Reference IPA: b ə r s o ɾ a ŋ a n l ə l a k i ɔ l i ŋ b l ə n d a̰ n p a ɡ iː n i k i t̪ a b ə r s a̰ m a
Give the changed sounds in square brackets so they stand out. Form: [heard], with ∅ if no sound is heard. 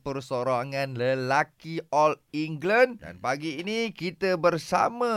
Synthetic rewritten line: [p] ə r s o ɾ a ŋ a n l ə l a k i ɔ l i ŋ [ɡ] l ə n d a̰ n p a ɡ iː n i k i t̪ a b ə r s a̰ m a